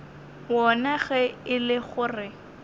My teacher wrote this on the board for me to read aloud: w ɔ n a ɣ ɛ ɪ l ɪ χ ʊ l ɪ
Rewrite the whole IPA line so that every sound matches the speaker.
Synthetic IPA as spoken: w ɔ n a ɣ ɛ ɪ l ɪ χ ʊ r ɪ